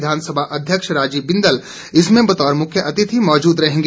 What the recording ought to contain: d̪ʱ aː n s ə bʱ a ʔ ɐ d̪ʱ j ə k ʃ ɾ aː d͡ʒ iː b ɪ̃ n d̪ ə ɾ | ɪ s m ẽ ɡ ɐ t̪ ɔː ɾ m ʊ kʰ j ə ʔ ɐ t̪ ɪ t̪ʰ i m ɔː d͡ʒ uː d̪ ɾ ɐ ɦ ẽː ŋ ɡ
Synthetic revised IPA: d̪ʱ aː n s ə bʱ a ʔ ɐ d̪ʱ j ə k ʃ ɾ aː d͡ʒ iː b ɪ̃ n d̪ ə l | ɪ s m ẽ b ɐ t̪ ɔː ɾ m ʊ kʰ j ə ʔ ɐ t̪ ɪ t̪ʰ i m ɔː d͡ʒ uː d̪ ɾ ɐ ɦ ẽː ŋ ɡ